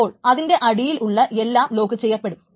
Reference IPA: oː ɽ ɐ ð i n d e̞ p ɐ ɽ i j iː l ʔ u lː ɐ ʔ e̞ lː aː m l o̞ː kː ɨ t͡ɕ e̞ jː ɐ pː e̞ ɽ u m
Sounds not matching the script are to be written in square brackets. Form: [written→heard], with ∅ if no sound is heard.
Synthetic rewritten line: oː [ɽ→ɭ] ɐ ð i n d e̞ [p→ʔ] ɐ ɽ i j [iː→i] l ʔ u [lː→ɭː] ɐ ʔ e̞ lː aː m l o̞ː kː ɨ t͡ɕ e̞ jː ɐ pː e̞ ɽ u m